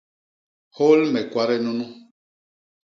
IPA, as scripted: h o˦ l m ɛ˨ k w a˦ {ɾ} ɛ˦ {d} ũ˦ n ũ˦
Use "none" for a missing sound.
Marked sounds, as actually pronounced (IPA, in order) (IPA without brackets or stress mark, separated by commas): ɾ, n